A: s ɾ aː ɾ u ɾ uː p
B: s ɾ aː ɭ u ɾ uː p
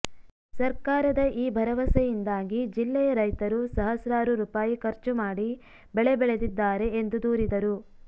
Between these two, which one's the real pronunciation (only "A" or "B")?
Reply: A